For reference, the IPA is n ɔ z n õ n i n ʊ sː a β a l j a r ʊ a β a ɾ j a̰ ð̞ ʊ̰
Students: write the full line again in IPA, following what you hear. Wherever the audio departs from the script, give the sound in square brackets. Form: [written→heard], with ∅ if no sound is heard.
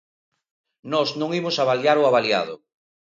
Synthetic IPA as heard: n ɔ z n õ [n→ŋ] i [n→m] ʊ [sː→s] a β a l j a [r→ɾ] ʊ a β a [ɾ→l] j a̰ ð̞ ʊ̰